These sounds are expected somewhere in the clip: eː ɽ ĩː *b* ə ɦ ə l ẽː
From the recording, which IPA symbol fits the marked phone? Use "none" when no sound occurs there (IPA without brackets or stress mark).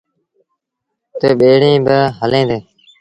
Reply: b